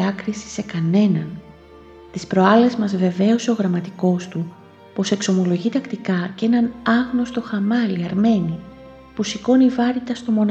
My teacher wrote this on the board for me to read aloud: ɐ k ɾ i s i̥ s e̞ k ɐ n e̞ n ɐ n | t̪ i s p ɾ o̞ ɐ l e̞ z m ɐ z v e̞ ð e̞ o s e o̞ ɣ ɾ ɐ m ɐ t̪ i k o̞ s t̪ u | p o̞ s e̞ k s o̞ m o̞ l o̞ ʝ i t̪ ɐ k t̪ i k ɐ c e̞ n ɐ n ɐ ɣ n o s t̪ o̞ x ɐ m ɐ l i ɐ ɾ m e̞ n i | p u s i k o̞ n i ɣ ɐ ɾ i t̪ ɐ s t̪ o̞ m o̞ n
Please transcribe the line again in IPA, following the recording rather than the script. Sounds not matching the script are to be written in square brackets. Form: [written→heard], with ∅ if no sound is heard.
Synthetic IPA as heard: ɐ k ɾ i s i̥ s e̞ k ɐ n e̞ n ɐ n | t̪ i s p ɾ o̞ ɐ l e̞ z m ɐ z v e̞ [ð→v] e̞ o s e o̞ ɣ ɾ ɐ m ɐ t̪ i k o̞ s t̪ u | p o̞ s e̞ k s o̞ m o̞ l o̞ ʝ i t̪ ɐ k t̪ i k ɐ c e̞ n ɐ n ɐ ɣ n o s t̪ o̞ x ɐ m ɐ l i ɐ ɾ m e̞ n i | p u s i k o̞ n i [ɣ→v] ɐ ɾ i t̪ ɐ s t̪ o̞ m o̞ n